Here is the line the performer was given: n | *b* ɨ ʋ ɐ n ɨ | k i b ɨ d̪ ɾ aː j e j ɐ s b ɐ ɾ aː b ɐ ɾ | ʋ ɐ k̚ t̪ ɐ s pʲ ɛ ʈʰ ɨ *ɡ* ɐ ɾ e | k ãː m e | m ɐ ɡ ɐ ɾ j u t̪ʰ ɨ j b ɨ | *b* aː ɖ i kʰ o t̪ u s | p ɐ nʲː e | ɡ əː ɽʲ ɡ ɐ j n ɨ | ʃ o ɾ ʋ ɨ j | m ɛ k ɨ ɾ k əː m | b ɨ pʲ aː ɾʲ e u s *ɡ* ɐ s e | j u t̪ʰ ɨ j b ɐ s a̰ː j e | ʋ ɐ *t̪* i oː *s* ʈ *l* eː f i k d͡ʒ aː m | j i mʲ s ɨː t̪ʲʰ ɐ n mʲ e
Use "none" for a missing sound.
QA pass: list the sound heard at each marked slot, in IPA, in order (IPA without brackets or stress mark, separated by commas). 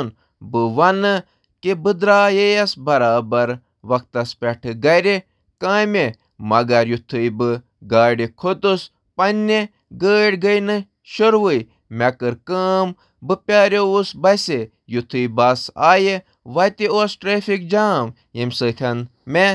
b, ɡ, ɡ, b, t̪, s, ɾ